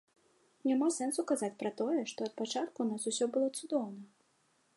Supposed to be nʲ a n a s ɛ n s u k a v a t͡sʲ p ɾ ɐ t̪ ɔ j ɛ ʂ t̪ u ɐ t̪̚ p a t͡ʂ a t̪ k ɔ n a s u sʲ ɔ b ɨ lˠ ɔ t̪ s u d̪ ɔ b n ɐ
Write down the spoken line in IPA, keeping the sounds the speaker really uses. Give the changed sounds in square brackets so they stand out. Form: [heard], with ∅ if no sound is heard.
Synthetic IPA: nʲ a [m] a s ɛ n s u k a [z] a t͡sʲ p ɾ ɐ t̪ ɔ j ɛ ʂ t̪ [ɔ] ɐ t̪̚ p a t͡ʂ a t̪ k [u] n a s u sʲ ɔ b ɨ lˠ ɔ t̪ s u d̪ ɔ [w] n ɐ